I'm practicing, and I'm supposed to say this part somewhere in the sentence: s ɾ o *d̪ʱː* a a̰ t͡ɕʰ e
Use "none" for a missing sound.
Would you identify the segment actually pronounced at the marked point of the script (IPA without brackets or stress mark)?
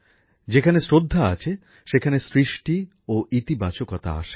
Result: d̪ʱː